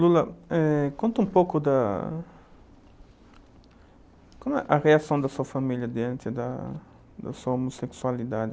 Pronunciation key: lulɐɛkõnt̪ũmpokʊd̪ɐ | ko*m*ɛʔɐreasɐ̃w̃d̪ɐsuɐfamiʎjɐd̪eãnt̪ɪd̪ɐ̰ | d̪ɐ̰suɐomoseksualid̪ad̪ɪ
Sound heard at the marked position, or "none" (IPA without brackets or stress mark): m